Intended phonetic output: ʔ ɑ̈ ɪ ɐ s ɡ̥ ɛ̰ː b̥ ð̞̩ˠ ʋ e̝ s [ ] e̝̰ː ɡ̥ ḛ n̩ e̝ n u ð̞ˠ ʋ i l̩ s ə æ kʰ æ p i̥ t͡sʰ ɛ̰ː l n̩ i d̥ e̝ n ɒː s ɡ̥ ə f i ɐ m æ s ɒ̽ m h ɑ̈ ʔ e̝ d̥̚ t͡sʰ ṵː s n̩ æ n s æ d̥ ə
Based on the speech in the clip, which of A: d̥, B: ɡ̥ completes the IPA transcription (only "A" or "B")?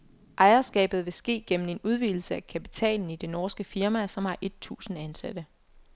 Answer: B